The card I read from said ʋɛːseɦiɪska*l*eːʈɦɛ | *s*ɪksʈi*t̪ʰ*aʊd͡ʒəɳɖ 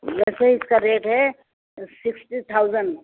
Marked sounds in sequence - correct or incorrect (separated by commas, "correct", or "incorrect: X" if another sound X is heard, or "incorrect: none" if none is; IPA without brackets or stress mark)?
incorrect: ɾ, correct, correct